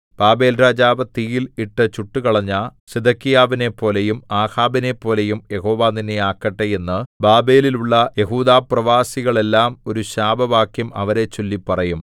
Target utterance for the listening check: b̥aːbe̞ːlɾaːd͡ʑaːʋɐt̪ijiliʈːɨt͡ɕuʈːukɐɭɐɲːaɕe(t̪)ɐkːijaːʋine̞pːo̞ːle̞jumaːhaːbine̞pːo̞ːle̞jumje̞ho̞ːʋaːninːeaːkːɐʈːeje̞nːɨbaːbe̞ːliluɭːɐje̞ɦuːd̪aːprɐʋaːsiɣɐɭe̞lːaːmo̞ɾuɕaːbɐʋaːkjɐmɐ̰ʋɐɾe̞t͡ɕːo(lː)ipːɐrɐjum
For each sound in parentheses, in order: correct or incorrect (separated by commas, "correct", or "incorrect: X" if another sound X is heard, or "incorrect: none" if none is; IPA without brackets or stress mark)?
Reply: incorrect: d̪, correct